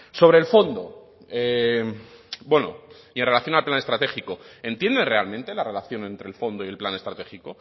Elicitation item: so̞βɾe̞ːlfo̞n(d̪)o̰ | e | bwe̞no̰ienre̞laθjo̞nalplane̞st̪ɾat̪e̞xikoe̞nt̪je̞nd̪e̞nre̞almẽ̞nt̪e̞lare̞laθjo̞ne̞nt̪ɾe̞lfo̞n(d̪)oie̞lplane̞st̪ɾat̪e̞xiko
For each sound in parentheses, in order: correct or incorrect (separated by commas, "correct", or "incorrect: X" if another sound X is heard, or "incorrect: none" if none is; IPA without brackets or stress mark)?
correct, correct